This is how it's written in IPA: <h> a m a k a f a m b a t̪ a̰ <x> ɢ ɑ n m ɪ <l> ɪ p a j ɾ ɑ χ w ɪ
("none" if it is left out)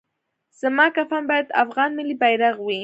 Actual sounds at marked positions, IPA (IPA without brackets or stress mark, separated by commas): s, f, l